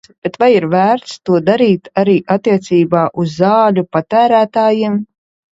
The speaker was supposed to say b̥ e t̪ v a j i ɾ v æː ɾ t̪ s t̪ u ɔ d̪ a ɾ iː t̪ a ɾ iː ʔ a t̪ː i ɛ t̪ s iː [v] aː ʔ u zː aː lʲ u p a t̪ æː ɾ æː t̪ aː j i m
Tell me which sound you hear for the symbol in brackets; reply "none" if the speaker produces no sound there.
b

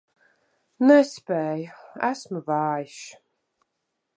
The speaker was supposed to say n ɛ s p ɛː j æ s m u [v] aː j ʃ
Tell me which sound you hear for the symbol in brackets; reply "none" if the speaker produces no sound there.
v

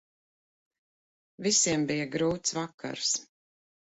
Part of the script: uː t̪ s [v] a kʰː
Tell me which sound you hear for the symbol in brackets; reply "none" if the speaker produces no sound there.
v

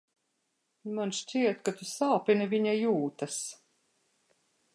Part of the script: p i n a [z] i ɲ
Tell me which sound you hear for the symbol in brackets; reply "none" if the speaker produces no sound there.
v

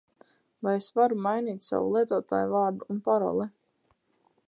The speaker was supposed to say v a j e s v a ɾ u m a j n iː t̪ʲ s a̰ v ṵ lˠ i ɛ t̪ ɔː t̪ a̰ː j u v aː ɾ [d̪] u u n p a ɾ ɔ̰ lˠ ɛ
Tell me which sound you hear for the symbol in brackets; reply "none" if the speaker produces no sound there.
d̪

